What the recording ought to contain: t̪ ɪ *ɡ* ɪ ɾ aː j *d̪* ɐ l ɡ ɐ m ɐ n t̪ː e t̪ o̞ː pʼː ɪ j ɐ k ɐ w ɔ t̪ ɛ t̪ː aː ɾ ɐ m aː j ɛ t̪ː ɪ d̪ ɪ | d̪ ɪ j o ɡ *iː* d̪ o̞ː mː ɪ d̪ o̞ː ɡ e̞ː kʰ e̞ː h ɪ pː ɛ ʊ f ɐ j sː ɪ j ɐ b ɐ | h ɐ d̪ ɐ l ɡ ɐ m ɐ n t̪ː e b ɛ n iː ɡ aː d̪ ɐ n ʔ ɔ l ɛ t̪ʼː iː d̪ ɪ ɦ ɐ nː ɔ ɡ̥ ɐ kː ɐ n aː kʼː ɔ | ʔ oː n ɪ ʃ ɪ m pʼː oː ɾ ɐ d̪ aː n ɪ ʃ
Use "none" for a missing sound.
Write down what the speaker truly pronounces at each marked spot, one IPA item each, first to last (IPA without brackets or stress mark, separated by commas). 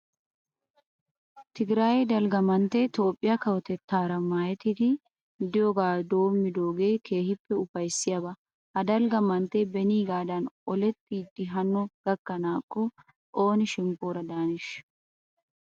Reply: ɡ, d̪, aː